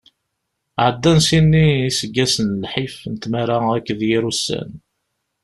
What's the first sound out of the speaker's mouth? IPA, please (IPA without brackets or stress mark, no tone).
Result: ʕ